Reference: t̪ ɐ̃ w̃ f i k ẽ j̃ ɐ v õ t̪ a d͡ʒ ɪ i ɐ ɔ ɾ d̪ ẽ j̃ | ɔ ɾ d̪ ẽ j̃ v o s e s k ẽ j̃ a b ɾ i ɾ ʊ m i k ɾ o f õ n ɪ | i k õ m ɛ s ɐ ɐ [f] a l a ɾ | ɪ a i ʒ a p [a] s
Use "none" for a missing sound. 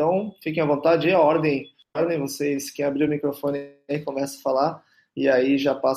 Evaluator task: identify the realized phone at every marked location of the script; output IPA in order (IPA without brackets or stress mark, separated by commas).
f, a